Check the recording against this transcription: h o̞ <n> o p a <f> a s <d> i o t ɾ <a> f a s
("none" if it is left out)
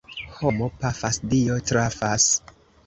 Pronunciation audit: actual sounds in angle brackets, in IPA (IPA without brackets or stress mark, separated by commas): m, f, d, a